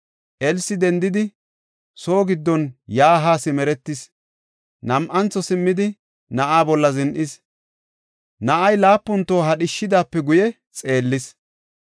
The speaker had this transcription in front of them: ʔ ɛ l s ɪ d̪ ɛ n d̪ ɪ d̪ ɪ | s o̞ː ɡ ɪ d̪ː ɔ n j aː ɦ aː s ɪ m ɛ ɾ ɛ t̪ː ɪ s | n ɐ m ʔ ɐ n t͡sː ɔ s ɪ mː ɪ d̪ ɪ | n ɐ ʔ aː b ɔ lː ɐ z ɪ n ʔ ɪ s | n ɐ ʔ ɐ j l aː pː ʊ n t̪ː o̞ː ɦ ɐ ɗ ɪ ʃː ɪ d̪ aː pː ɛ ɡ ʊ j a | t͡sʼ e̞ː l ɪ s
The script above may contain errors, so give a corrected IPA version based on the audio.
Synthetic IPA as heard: ʔ ɛ l s ɪ d̪ ɛ n d̪ ɪ d̪ ɪ | s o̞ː ɡ ɪ d̪ː ɔ n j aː ɦ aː s ɪ m ɛ ɾ ɛ t̪ː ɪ s | n ɐ m ʔ ɐ n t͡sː ɔ s ɪ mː ɪ d̪ ɪ | n ɐ ʔ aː b ɔ lː ɐ z ɪ n ʔ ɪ s | n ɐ ʔ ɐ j l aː pː ʊ n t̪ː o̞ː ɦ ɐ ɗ ɪ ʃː ɪ d̪ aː pː ɛ ɡ ʊ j ɛ | t͡sʼ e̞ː lː ɪ s